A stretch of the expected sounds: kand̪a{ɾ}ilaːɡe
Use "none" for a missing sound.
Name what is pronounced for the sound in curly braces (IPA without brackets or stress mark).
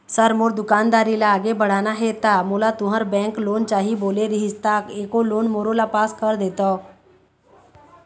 ɾ